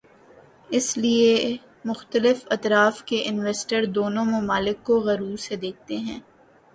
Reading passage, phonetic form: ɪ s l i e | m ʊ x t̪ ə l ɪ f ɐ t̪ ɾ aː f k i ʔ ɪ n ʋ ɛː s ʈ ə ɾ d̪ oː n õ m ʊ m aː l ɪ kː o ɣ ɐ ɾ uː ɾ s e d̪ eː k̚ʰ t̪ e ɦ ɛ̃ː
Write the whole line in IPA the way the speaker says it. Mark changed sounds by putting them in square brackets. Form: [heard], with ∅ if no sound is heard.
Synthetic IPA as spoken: ɪ s l i e | m ʊ x t̪ ə l ɪ f ɐ t̪ ɾ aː f k [e] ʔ ɪ n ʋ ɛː s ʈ ə ɾ d̪ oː n õ m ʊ m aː l ɪ kː o ɣ ɐ ɾ uː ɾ s e d̪ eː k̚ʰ t̪ e ɦ ɛ̃ː

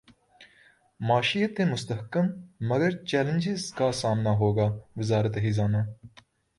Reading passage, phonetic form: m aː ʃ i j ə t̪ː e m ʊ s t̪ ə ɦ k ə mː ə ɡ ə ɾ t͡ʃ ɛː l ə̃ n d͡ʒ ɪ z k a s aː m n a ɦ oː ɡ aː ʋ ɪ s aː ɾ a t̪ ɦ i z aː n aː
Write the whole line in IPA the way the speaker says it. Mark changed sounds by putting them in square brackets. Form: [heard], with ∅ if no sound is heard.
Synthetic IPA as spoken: m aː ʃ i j ə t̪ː e m ʊ s t̪ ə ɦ k ə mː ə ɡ ə ɾ t͡ʃ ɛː l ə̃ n d͡ʒ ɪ z k a s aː m n a ɦ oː ɡ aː ʋ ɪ [z] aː ɾ [ə] t̪ ɦ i z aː n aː

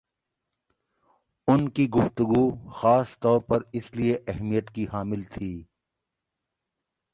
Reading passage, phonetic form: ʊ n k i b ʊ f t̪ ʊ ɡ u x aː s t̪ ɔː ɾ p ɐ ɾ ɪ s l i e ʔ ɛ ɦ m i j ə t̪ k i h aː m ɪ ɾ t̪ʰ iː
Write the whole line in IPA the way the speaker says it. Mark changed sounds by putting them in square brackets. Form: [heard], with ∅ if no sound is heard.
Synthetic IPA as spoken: ʊ n k i [ɡ] ʊ f t̪ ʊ ɡ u x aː s t̪ ɔː ɾ p ɐ ɾ ɪ s l i e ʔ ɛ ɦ m i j ə t̪ k i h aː m ɪ [l] t̪ʰ iː

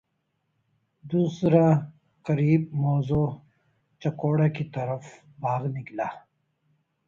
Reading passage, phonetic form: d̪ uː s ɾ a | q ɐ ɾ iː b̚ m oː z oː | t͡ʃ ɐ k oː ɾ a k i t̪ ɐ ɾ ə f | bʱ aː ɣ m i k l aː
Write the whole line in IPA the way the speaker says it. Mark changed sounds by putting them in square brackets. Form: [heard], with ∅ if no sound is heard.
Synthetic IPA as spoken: d̪ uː s ɾ a | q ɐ ɾ iː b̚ m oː z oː | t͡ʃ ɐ k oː [ɽ] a k i t̪ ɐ ɾ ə f | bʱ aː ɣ [n] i k l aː

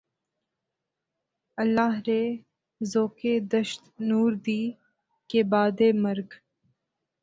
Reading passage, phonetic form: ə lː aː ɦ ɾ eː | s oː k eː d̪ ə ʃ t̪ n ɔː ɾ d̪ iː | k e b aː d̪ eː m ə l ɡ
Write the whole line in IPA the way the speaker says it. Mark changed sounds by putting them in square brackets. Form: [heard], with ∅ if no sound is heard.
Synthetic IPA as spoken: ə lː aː ɦ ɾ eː | [z] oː k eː d̪ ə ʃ t̪ n [uː] ɾ d̪ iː | k e b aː d̪ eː m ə [ɾ] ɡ

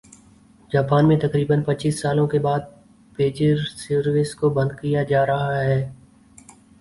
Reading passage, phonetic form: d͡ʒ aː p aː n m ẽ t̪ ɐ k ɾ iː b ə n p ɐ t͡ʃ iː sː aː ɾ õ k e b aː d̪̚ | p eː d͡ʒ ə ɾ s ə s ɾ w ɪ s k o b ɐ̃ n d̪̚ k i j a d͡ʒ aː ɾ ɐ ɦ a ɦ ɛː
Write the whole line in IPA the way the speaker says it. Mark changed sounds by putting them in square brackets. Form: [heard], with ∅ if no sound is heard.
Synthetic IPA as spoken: d͡ʒ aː p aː n m ẽ t̪ ɐ k ɾ iː b ə n p ɐ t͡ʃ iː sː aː [l] õ k e b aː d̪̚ | p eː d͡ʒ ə ɾ s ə [∅] ɾ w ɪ s k o b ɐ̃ n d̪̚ k i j a d͡ʒ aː ɾ ɐ ɦ a ɦ ɛː

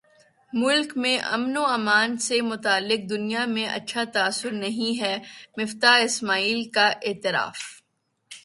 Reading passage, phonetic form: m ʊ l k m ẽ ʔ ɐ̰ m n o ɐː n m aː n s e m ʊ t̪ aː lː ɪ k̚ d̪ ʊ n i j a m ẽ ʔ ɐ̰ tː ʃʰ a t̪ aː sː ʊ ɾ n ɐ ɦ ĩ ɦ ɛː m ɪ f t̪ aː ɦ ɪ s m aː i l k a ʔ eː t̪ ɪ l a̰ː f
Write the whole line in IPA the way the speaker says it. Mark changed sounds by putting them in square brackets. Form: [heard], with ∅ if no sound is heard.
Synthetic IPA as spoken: m ʊ l k m ẽ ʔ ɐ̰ m n o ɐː [∅] m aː n s e m ʊ t̪ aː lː ɪ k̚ d̪ ʊ n i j a m ẽ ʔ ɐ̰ tː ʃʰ a t̪ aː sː ʊ ɾ n ɐ ɦ ĩ ɦ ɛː m ɪ f t̪ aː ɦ ɪ s m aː [iː] l k a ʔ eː t̪ ɪ [ɾ] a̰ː f

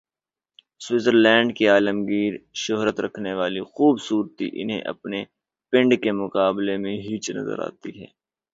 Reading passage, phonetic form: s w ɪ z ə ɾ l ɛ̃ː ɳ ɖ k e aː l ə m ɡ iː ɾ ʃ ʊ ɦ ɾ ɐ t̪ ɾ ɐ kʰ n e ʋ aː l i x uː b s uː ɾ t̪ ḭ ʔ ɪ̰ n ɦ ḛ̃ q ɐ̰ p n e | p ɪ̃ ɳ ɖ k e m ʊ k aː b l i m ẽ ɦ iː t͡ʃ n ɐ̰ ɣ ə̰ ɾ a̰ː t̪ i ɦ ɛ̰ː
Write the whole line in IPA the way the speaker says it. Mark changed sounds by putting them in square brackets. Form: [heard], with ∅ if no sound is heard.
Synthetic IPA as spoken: s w ɪ z ə ɾ l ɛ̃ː ɳ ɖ k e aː l ə m ɡ iː ɾ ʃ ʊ ɦ ɾ [ə] t̪ ɾ ɐ kʰ n e ʋ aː l i x uː b s uː ɾ t̪ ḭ ʔ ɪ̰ n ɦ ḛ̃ [ʔ] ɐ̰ p n e | p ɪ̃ ɳ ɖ k e m ʊ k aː b l [e] m ẽ ɦ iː t͡ʃ n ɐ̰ [z] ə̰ ɾ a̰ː t̪ i ɦ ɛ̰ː

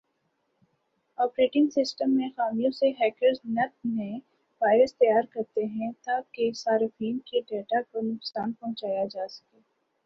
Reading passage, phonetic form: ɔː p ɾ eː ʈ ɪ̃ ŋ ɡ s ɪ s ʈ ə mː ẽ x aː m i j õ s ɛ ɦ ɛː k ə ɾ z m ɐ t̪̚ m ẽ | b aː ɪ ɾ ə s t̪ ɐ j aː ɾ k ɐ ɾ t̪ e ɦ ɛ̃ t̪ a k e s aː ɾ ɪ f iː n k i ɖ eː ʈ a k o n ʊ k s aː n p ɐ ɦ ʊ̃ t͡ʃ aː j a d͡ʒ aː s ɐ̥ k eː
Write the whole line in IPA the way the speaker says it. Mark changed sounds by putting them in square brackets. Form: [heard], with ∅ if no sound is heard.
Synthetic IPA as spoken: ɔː p ɾ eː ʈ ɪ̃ ŋ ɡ s ɪ s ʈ ə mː ẽ x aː m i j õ s [e] ɦ ɛː k ə ɾ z [n] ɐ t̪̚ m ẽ | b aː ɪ ɾ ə s t̪ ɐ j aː ɾ k ɐ ɾ t̪ e ɦ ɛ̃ t̪ a k e s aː ɾ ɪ f iː n k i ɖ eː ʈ a k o n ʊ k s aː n p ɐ ɦ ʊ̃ t͡ʃ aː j a d͡ʒ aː s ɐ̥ k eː

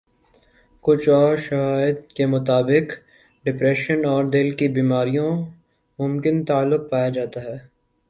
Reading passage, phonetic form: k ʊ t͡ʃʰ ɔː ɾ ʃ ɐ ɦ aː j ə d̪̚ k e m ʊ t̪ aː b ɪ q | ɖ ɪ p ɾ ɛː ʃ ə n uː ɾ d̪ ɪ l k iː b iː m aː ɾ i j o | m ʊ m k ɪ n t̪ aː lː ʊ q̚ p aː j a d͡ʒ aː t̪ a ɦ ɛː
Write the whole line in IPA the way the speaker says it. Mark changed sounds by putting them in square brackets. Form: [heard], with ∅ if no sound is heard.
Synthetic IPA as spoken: k ʊ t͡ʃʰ ɔː ɾ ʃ ɐ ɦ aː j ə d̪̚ k e m ʊ t̪ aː b ɪ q | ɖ ɪ p ɾ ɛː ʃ ə n [ɔː] ɾ d̪ ɪ l k [i] b iː m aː ɾ i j [õ] | m ʊ m k ɪ n t̪ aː lː ʊ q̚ p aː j a d͡ʒ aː t̪ a ɦ ɛː

